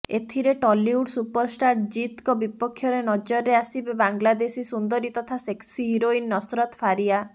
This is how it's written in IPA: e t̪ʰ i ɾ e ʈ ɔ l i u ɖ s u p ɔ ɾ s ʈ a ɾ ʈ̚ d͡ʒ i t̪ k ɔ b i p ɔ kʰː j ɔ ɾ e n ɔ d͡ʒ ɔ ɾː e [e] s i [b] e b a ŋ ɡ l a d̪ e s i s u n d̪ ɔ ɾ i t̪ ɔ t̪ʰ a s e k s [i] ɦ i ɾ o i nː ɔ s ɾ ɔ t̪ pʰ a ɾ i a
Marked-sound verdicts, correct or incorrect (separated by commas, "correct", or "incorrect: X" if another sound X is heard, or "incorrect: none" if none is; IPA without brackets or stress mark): incorrect: a, correct, correct